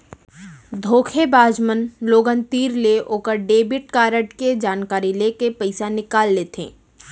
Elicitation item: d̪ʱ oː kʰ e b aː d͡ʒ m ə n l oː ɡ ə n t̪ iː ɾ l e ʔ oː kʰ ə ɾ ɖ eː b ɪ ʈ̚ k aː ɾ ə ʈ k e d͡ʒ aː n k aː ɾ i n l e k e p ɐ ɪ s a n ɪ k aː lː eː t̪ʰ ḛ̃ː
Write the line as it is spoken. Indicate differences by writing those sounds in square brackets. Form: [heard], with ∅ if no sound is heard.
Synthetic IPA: d̪ʱ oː kʰ e b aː d͡ʒ m ə n l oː ɡ ə n t̪ iː ɾ l e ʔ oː [k] ə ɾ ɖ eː b ɪ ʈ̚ k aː ɾ ə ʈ k e d͡ʒ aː n k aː ɾ i [∅] l e k e p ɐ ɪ s a n ɪ k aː lː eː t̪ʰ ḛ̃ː